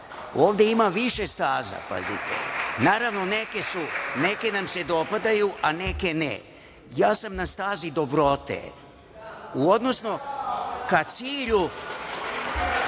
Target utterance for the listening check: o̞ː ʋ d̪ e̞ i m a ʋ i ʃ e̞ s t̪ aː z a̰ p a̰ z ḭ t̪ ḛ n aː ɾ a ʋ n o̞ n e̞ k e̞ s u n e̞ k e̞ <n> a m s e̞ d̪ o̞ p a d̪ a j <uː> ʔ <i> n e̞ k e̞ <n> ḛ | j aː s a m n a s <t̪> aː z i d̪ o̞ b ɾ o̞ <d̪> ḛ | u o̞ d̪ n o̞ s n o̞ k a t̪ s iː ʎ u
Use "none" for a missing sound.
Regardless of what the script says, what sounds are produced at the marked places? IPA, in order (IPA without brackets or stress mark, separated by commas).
n, u, a, n, t̪, t̪